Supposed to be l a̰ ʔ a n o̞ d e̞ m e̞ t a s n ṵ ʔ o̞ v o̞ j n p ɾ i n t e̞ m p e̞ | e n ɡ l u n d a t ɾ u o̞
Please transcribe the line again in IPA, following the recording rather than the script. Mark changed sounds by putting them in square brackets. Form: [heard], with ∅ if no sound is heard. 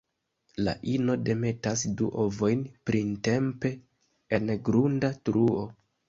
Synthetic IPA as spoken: l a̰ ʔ [i] n o̞ d e̞ m e̞ t a s [d] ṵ ʔ o̞ v o̞ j n p ɾ i n t e̞ m p e̞ | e n ɡ [ɾ] u n d a t ɾ u o̞